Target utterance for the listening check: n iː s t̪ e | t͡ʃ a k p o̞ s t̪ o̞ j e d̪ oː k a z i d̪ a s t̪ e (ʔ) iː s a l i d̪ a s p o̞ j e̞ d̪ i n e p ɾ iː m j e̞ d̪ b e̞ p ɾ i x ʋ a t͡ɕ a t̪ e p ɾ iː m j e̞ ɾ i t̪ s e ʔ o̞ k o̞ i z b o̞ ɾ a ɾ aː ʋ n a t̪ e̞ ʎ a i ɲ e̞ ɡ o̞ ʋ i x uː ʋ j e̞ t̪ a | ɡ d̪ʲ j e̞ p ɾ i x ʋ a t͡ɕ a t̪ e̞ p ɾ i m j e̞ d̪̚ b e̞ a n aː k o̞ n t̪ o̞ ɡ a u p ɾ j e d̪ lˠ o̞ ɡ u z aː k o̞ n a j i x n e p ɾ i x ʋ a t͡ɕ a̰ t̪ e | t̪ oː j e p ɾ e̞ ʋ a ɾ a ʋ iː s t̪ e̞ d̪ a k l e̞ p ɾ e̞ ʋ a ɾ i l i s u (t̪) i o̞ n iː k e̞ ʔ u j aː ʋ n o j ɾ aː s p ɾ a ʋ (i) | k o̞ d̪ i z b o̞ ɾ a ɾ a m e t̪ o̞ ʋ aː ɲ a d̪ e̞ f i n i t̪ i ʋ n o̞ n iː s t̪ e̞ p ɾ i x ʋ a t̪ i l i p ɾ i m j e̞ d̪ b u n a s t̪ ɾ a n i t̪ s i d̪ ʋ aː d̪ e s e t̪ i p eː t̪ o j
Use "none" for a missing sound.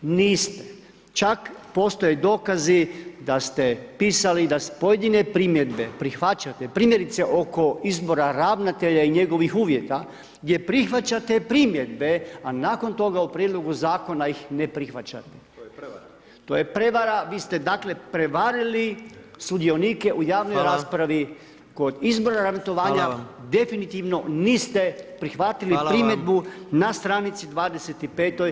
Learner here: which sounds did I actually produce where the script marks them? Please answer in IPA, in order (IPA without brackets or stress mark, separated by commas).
p, d̪, i